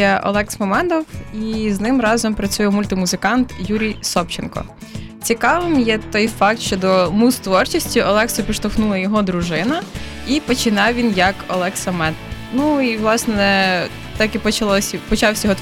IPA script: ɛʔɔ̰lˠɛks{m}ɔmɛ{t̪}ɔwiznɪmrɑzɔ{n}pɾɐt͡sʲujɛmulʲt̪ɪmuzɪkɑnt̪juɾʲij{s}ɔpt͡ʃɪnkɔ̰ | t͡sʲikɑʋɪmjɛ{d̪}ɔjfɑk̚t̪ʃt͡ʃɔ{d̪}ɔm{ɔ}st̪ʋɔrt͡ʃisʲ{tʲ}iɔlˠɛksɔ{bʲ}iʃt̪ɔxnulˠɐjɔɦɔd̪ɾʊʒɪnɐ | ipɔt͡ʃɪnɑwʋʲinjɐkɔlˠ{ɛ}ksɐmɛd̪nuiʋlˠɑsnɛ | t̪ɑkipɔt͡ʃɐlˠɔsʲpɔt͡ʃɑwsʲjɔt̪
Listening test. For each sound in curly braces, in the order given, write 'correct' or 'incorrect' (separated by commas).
correct, incorrect, incorrect, correct, incorrect, correct, incorrect, correct, incorrect, correct